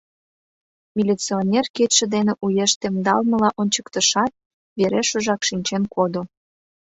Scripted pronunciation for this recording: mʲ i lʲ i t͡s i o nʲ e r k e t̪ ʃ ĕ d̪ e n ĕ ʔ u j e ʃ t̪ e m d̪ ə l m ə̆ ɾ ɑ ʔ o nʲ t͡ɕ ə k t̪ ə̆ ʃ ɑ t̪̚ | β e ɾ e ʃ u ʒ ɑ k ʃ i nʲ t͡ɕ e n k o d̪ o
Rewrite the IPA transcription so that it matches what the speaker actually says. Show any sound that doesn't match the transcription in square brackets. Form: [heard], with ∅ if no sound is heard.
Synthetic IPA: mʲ i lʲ i t͡s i o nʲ e r k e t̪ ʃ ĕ d̪ e n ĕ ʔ u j e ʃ t̪ e m d̪ [ɑ] l m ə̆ [l] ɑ ʔ o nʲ t͡ɕ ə k t̪ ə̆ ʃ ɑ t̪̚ | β e ɾ e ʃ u ʒ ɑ k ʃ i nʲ t͡ɕ e n k o d̪ o